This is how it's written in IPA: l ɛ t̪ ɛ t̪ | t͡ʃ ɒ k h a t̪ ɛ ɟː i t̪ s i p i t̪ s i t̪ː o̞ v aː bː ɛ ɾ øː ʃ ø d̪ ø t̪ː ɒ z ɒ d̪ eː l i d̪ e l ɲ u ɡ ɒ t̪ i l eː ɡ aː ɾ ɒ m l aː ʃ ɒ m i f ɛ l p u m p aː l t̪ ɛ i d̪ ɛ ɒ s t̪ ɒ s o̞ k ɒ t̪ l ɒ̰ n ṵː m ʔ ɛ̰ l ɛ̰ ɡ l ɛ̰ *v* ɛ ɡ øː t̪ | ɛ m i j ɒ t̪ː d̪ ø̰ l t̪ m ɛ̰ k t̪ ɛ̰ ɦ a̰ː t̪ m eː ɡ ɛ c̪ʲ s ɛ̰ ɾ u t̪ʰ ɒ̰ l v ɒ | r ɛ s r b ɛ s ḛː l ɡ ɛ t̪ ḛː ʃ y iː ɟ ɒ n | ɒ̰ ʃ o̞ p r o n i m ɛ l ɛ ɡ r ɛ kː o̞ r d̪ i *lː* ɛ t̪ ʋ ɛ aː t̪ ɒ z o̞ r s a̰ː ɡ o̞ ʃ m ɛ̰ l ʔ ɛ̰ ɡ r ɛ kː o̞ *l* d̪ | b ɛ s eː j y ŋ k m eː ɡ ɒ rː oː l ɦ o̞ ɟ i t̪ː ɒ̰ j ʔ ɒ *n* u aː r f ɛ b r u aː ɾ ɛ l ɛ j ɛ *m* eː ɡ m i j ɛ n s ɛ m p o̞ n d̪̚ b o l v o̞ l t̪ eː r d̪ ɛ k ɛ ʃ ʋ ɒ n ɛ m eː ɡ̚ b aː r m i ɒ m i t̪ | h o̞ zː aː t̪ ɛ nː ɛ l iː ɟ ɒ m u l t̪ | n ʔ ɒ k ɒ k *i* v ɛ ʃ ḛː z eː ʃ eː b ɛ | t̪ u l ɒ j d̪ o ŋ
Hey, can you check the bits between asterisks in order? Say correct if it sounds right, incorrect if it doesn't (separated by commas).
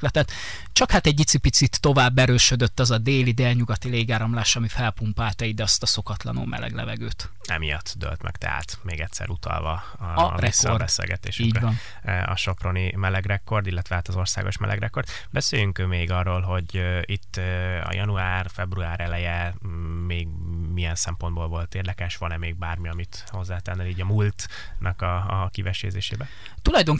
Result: correct, correct, incorrect, correct, correct, correct